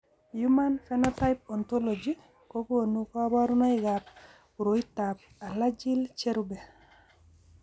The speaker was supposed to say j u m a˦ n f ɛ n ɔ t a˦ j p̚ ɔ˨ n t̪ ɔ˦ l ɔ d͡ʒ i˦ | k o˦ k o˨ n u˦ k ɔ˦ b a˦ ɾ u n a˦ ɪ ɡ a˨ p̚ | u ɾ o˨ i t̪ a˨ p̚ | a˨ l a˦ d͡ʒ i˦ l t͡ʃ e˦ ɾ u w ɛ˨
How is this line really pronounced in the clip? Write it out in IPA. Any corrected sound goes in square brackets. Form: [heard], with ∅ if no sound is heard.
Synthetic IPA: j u m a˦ n f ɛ n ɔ t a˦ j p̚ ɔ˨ n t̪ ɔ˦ l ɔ d͡ʒ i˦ | k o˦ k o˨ n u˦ k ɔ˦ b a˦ ɾ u n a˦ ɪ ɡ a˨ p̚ | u ɾ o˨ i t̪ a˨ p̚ | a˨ l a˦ d͡ʒ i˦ l t͡ʃ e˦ ɾ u [b] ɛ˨